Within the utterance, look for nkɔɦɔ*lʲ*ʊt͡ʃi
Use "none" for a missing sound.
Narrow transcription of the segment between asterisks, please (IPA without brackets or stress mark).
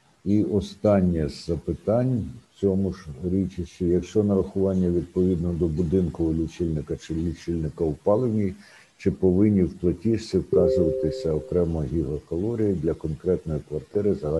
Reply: lʲ